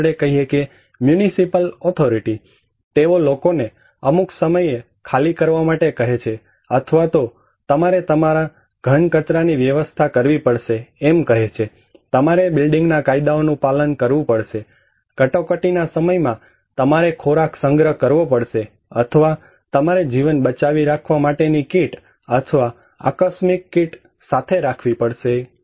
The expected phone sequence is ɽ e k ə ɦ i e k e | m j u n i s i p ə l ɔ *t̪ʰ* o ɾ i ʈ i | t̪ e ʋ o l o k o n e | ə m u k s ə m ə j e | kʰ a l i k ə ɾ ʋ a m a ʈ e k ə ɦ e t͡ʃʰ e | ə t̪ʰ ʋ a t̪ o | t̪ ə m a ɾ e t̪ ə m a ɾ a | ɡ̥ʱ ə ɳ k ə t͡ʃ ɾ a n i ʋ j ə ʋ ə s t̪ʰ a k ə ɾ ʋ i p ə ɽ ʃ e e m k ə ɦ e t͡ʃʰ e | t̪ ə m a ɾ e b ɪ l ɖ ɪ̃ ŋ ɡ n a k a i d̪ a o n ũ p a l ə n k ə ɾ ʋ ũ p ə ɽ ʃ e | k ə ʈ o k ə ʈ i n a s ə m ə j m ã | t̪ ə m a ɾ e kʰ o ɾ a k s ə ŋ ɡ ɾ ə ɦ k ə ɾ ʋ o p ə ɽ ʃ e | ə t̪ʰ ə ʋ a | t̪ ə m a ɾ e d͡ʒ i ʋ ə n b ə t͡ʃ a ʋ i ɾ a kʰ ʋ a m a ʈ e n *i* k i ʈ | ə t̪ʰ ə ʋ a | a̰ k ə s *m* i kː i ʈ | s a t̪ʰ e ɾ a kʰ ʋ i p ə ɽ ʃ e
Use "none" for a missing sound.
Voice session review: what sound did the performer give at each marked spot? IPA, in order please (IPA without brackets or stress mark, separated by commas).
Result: t̪ʰ, i, m